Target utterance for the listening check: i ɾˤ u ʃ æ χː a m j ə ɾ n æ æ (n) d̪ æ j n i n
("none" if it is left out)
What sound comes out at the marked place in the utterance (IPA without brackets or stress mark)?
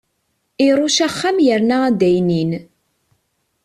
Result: none